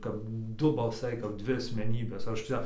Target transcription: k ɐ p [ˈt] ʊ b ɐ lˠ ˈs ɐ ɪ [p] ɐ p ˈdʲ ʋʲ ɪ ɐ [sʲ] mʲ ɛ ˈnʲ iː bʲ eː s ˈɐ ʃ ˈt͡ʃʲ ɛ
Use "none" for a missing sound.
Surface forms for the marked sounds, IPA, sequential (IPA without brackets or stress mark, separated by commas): d, k, sʲ